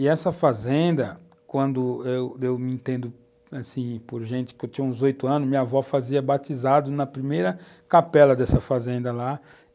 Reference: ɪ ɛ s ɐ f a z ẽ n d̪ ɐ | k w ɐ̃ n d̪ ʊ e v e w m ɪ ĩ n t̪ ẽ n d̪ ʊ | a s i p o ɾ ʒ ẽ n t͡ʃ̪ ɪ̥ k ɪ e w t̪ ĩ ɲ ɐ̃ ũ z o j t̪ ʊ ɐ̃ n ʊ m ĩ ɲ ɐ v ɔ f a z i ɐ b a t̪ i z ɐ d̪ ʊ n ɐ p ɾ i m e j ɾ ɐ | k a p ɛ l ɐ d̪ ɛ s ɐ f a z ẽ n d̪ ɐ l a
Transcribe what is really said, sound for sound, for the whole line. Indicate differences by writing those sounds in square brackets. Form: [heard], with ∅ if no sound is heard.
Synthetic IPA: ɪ ɛ s ɐ f a z ẽ n d̪ ɐ | k w ɐ̃ n d̪ ʊ e [w] e w m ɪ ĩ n t̪ ẽ n d̪ ʊ | a s [ĩ] p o ɾ ʒ ẽ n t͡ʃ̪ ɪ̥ k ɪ e w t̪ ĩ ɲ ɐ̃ ũ z o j t̪ ʊ ɐ̃ n ʊ m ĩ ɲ ɐ v ɔ f a z i ɐ b a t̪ i z [a] d̪ ʊ n ɐ p ɾ i m e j ɾ ɐ | k a p ɛ l ɐ d̪ ɛ s ɐ f a z ẽ n d̪ ɐ l a